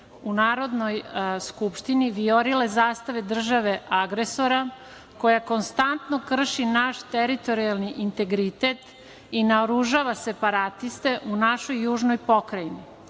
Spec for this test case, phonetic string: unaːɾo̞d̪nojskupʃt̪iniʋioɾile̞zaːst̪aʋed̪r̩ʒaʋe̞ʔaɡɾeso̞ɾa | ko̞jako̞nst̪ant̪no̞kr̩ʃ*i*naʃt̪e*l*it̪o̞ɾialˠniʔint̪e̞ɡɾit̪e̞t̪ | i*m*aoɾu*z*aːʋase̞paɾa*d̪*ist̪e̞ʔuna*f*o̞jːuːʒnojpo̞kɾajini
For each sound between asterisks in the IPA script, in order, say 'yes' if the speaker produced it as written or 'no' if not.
yes, no, no, no, no, no

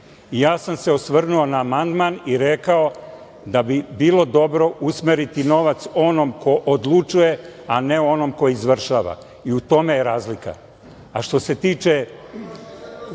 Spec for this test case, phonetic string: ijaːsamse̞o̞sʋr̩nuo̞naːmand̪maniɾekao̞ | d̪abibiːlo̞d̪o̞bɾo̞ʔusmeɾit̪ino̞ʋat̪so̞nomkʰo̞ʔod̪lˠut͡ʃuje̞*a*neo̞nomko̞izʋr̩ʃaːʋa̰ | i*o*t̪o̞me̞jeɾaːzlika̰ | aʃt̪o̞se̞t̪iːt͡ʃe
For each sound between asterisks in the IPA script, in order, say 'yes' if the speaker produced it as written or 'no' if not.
yes, no

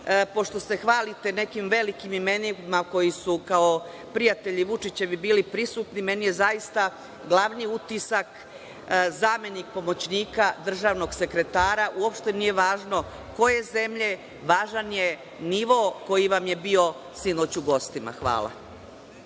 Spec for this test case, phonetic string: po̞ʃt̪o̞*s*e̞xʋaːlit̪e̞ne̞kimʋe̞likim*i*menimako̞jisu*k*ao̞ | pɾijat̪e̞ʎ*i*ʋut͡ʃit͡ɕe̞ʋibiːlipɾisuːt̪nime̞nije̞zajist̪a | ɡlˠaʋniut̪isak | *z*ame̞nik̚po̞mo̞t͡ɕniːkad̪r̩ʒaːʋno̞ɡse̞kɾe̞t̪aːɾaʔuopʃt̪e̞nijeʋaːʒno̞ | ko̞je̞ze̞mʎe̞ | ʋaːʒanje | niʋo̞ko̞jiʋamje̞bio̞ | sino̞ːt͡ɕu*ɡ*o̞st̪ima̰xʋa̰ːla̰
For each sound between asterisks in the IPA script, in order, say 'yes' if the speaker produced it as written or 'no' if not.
yes, yes, yes, yes, yes, yes

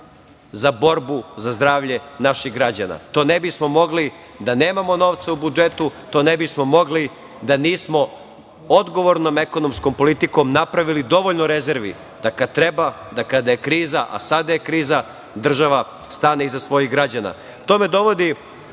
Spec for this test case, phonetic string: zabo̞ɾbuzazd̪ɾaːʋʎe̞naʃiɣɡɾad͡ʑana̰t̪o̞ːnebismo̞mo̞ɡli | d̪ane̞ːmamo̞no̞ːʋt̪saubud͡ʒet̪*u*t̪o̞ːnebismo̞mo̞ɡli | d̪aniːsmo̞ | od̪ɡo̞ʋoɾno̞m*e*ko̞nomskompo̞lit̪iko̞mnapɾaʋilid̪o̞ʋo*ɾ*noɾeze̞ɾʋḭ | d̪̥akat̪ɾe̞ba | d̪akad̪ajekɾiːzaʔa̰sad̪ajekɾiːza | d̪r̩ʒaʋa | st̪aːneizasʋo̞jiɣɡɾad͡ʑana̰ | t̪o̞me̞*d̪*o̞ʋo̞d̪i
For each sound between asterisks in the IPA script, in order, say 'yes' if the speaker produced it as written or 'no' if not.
yes, yes, no, yes

